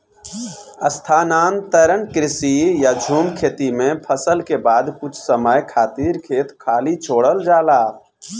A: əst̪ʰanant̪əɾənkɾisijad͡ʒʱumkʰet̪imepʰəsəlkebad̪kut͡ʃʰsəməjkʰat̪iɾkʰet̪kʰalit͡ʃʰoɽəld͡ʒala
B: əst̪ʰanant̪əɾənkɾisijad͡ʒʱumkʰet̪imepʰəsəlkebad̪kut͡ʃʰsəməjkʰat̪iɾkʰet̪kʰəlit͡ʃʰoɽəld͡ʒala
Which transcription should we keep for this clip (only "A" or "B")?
A